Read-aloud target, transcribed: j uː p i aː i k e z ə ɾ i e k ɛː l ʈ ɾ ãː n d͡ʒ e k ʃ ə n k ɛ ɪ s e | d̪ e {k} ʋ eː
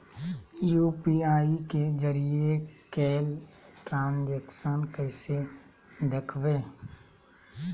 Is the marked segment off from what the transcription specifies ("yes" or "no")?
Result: yes